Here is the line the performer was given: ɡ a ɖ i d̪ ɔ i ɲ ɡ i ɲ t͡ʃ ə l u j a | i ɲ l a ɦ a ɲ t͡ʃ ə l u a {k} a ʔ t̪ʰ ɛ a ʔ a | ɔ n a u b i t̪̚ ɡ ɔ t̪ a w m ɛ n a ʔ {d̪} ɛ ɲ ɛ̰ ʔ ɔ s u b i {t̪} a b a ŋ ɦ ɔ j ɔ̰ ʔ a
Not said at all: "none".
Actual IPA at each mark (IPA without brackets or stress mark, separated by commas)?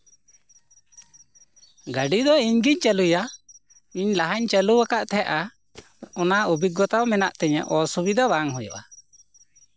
k, t̪, d̪